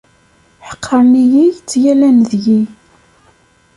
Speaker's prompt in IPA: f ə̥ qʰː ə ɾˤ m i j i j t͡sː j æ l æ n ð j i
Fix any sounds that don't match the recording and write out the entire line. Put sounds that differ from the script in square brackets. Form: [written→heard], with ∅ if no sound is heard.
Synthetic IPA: [f→ħ] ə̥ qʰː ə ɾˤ [m→n] i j i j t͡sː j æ l æ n ð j i

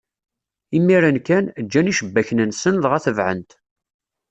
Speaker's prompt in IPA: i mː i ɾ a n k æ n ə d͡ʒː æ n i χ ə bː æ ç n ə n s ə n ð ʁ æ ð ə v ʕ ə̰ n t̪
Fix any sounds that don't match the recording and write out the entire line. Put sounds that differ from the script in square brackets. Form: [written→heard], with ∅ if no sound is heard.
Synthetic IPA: i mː i ɾ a n k æ n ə d͡ʒː æ n i [χ→ʃ] ə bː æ ç n ə n s ə n ð ʁ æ [ð→θ] ə v ʕ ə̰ n t̪

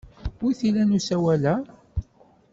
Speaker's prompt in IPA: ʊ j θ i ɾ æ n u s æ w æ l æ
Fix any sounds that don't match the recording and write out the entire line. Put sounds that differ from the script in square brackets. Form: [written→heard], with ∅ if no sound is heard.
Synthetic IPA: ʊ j θ i [ɾ→l] æ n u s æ w æ l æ

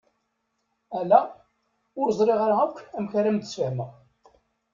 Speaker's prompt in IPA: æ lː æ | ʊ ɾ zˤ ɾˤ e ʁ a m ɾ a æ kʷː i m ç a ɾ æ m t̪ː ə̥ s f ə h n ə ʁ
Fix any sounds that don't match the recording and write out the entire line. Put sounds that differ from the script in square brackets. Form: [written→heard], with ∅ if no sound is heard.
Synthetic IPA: æ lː æ | ʊ ɾ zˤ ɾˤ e ʁ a [m→∅] ɾ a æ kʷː [i→æ] m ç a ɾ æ m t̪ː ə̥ s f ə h [n→m] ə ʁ

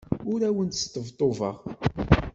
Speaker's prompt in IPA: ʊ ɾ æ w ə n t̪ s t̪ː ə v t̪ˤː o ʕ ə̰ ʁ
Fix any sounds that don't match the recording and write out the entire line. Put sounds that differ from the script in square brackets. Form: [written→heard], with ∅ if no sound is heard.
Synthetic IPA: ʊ ɾ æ w ə n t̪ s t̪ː ə v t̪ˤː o [ʕ→v] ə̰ ʁ

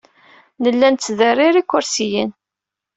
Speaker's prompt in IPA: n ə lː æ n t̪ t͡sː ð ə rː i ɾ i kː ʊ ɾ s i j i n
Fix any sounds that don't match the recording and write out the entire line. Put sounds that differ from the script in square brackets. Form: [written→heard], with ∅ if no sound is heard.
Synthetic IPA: n ə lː æ n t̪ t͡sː ð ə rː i ɾ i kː ʊ ɾ s i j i n

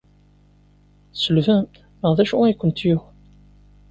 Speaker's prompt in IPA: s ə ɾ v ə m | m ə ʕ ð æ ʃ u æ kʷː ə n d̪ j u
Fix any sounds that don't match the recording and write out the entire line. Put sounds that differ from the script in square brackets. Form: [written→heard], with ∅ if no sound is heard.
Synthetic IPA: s ə [ɾ→l] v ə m | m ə [ʕ→ʁ] ð æ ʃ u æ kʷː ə n [d̪→t̪] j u

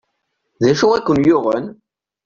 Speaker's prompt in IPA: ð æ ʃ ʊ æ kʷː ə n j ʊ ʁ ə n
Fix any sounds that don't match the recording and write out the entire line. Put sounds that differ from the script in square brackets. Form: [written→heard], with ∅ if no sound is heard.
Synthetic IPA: ð æ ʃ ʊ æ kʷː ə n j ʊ ʁ ə n

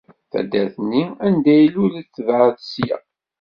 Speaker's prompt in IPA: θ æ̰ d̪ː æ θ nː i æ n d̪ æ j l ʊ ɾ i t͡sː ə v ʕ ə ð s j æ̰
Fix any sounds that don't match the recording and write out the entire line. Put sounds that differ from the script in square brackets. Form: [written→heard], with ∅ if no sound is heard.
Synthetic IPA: θ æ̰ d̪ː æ θ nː i æ n d̪ æ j l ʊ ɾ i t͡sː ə v ʕ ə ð s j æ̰

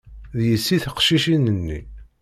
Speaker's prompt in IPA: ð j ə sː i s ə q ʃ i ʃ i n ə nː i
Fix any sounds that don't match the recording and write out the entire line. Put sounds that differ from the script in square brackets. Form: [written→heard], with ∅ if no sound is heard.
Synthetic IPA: ð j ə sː i [s→θ] ə q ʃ i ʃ i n ə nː i

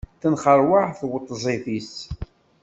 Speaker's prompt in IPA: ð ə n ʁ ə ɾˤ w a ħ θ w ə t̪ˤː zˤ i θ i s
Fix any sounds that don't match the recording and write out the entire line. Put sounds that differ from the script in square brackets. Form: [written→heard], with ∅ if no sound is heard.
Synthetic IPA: [ð→θ] ə n [ʁ→χ] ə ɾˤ w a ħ θ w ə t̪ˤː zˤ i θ i s

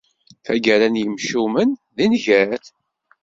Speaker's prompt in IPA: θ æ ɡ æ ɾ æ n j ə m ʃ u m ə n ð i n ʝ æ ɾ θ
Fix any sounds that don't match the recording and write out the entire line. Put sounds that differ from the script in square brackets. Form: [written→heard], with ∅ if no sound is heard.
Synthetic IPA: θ æ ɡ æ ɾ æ n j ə m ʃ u m ə n ð i n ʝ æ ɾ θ

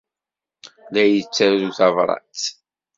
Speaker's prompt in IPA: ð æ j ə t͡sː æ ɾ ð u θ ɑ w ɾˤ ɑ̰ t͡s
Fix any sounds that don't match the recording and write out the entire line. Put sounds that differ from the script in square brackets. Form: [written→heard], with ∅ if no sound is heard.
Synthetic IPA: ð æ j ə t͡sː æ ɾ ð u θ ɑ [w→v] ɾˤ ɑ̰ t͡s

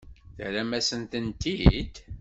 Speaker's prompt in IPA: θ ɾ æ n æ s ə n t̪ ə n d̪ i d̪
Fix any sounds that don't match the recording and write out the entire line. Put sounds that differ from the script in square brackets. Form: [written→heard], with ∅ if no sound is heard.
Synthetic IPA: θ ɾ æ [n→m] æ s ə n t̪ ə n [d̪→t̪] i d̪

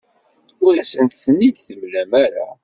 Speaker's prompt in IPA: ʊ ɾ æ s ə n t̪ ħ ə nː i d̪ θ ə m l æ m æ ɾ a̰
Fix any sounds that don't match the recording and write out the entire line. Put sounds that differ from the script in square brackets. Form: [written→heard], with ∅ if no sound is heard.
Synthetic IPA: ʊ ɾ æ s ə n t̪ [ħ→θ] ə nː i d̪ θ ə m l æ m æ ɾ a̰

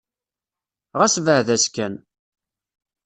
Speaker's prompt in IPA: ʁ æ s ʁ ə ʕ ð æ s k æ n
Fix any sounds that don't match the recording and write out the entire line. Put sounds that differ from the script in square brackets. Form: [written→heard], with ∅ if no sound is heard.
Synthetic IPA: ʁ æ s [ʁ→v] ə ʕ ð æ s k æ n

